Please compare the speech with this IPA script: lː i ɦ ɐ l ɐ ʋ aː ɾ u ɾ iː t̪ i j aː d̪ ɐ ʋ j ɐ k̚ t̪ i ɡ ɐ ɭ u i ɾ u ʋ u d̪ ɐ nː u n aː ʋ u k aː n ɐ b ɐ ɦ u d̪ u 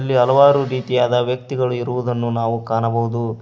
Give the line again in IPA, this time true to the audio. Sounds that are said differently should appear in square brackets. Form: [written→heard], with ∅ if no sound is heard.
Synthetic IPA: lː i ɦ ɐ l ɐ ʋ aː ɾ u ɾ iː t̪ i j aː d̪ ɐ ʋ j ɐ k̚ t̪ i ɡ ɐ ɭ u i ɾ u ʋ u d̪ ɐ nː u n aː ʋ u k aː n ɐ b ɐ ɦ u d̪ u